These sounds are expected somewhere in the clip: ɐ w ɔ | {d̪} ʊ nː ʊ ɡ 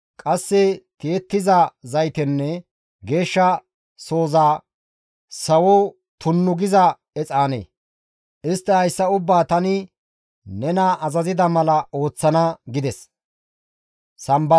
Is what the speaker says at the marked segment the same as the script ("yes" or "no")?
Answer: no